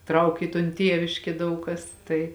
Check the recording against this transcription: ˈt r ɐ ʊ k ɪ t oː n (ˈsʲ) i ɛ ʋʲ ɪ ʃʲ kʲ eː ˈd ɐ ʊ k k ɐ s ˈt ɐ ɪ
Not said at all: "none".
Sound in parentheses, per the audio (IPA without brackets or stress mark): tʲ